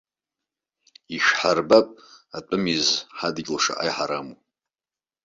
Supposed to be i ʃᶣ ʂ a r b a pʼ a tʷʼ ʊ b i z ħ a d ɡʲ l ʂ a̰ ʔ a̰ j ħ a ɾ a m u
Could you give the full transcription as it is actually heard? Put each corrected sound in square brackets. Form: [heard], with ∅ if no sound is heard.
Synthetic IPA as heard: i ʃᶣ [ħ] a r b a pʼ a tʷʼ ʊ [m] i z ħ a d ɡʲ l ʂ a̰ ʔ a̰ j ħ a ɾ a m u